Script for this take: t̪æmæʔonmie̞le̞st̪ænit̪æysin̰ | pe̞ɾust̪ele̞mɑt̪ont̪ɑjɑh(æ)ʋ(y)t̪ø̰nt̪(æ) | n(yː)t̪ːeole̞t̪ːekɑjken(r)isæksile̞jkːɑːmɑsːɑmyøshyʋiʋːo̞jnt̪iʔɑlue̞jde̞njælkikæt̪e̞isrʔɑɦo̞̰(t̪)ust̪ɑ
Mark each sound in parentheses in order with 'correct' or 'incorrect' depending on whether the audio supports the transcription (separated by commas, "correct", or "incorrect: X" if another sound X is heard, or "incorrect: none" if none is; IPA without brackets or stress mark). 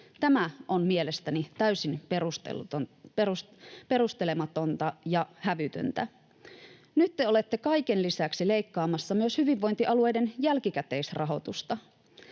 correct, correct, correct, incorrect: y, incorrect: l, correct